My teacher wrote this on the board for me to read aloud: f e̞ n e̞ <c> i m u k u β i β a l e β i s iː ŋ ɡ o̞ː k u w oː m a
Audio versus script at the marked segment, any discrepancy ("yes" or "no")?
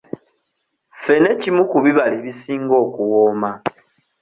no